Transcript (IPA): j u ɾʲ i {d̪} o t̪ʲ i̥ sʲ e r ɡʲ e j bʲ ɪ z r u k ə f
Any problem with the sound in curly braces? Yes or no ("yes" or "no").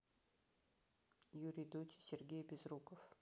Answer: no